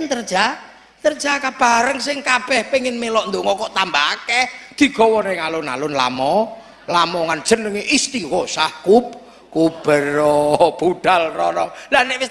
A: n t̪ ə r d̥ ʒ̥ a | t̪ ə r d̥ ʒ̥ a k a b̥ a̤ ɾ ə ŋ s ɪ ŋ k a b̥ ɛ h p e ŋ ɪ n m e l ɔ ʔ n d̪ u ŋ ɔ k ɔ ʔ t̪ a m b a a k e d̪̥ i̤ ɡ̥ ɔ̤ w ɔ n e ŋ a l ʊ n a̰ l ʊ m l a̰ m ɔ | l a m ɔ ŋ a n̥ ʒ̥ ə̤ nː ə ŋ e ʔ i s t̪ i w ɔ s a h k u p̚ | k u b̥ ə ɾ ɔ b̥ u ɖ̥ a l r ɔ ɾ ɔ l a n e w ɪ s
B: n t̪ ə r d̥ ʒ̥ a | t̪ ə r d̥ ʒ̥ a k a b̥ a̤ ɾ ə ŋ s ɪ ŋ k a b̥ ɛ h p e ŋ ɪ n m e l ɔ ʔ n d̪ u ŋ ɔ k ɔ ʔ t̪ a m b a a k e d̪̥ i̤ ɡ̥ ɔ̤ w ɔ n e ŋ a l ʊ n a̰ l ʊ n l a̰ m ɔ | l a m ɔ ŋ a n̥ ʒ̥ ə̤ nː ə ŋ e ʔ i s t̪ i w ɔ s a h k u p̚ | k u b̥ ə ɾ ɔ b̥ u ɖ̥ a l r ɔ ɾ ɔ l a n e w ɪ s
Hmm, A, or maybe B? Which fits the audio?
B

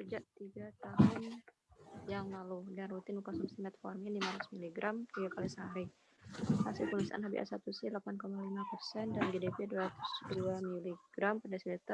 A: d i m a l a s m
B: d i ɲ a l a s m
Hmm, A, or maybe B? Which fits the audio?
A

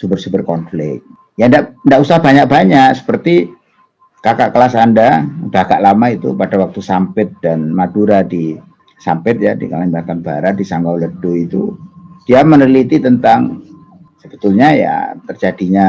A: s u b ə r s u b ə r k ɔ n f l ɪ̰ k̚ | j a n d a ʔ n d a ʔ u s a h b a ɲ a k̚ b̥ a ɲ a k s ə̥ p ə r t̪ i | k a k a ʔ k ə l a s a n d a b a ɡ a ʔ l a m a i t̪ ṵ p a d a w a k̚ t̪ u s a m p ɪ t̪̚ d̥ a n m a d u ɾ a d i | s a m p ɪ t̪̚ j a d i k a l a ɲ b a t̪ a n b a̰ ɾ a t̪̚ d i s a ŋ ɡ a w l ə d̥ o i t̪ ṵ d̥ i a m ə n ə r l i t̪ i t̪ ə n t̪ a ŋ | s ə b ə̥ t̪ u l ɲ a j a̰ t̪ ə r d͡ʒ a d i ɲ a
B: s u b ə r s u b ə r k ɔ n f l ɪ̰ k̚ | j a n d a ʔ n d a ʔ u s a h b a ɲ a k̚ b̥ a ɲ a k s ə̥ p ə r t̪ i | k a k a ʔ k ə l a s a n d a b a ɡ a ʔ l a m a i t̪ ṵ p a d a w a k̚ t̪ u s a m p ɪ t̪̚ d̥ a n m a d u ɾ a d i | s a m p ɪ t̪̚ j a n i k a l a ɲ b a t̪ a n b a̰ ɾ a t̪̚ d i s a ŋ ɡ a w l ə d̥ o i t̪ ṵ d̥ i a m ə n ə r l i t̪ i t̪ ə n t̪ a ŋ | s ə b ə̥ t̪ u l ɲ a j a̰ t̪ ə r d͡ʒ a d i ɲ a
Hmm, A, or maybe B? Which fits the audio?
A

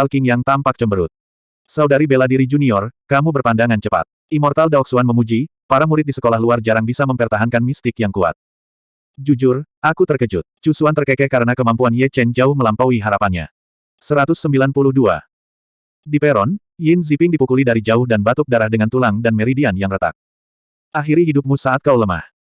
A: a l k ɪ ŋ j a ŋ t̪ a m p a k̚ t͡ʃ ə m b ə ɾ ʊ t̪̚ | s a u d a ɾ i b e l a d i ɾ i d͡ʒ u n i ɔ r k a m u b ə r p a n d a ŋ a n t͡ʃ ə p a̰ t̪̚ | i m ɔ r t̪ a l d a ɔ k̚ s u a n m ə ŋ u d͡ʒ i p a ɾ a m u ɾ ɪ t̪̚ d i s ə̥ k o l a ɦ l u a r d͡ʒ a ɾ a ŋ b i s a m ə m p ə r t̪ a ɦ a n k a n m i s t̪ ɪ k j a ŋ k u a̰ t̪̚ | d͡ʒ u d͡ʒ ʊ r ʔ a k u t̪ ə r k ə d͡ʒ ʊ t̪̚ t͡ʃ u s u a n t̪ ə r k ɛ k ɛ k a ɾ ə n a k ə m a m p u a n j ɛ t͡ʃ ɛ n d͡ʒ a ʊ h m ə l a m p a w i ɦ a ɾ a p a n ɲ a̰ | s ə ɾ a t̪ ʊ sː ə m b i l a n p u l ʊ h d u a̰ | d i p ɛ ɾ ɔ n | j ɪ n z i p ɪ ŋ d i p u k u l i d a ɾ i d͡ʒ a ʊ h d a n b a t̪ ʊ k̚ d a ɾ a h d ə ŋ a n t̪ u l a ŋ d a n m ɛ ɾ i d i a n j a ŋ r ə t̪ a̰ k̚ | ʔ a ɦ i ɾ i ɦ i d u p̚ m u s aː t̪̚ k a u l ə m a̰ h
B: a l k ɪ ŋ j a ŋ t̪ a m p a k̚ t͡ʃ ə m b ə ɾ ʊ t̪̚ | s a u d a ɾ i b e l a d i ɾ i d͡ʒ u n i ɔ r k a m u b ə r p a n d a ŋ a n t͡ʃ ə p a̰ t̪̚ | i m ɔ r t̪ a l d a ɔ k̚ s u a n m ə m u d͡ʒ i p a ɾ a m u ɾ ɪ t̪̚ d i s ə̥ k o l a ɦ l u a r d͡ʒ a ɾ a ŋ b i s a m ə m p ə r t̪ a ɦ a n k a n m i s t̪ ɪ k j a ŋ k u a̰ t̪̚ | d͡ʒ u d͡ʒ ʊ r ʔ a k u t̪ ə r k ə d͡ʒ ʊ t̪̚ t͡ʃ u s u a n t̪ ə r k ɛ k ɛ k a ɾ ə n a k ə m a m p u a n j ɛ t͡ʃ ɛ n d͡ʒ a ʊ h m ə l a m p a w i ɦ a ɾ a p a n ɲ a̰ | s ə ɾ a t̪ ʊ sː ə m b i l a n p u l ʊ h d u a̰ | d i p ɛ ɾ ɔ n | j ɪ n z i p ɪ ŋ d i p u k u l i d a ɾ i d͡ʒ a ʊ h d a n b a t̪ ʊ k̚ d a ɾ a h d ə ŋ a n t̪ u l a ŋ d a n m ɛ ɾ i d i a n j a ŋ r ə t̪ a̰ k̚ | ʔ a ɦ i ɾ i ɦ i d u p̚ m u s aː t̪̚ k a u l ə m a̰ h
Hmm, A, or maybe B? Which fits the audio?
B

